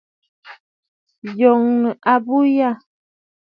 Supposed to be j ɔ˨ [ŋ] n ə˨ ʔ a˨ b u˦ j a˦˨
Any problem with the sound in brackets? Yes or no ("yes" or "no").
no